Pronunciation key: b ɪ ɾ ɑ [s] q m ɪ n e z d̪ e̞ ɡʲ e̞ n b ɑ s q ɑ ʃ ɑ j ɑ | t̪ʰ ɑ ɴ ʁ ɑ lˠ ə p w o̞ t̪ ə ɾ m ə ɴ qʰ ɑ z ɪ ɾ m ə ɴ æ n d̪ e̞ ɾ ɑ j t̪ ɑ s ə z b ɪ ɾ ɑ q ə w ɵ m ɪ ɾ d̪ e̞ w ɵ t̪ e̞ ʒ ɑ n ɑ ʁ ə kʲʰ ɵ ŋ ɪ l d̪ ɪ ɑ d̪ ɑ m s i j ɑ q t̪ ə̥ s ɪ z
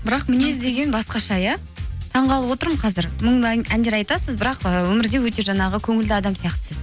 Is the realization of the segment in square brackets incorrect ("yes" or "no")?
yes